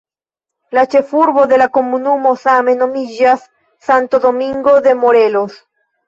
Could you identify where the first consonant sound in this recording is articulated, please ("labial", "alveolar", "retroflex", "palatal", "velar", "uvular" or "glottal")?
alveolar